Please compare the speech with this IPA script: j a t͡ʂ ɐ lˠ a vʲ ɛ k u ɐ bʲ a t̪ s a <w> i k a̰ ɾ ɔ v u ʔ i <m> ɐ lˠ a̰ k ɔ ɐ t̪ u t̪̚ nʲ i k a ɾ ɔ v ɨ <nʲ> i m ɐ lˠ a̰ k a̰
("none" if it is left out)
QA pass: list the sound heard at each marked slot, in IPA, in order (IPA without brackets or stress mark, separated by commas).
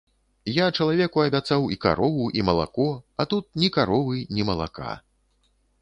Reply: w, m, nʲ